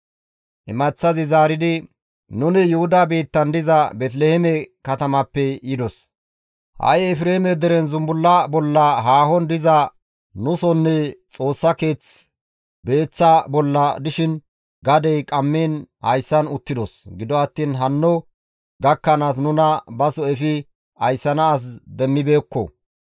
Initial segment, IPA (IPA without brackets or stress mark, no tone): ʔ